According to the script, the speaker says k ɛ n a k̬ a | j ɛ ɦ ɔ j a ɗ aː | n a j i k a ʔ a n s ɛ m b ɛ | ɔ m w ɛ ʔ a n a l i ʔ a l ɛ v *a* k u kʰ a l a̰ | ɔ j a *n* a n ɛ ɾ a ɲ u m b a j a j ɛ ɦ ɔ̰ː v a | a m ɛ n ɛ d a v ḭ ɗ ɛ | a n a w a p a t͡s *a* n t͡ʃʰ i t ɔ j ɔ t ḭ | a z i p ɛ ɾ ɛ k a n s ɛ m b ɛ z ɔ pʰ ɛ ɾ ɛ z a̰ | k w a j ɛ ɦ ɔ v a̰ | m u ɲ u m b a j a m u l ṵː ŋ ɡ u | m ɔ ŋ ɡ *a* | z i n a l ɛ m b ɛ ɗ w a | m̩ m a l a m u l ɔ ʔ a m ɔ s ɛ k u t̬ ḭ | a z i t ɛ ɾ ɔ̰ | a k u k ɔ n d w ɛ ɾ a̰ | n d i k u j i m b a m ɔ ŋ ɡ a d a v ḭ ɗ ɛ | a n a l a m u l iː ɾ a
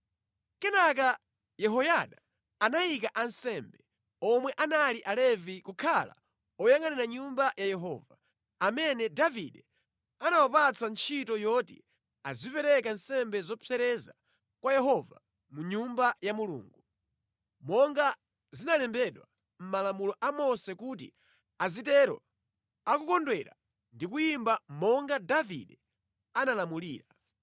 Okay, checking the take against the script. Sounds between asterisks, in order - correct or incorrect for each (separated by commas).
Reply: incorrect, incorrect, correct, correct